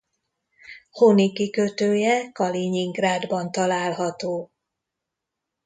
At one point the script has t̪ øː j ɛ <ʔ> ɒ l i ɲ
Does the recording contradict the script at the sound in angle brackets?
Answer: yes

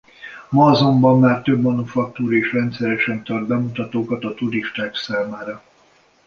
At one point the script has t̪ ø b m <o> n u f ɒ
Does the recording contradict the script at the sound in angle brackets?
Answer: yes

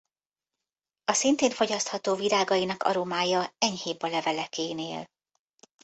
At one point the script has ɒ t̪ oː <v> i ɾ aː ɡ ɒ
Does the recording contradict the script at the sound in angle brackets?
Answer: no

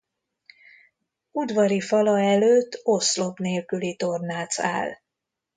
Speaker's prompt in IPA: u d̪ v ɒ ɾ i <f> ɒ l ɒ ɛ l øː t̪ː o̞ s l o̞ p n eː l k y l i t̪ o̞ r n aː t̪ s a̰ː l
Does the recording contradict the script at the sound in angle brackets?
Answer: no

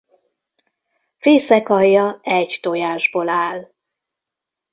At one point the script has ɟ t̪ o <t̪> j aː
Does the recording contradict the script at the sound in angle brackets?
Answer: yes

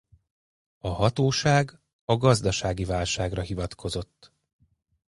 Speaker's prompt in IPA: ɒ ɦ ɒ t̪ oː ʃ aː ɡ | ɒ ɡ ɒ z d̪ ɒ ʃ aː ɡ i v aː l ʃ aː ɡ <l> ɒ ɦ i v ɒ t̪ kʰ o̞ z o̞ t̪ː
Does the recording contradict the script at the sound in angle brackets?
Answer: yes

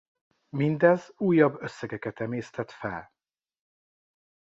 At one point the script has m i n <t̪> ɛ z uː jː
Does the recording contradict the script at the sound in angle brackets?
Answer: yes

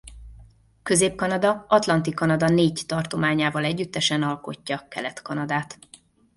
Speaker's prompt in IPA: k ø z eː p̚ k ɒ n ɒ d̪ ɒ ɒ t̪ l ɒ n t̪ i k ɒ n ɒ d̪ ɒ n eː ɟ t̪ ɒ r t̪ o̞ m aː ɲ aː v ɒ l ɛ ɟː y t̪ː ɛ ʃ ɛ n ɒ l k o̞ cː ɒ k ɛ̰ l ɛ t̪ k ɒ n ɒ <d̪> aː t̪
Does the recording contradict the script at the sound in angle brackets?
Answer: no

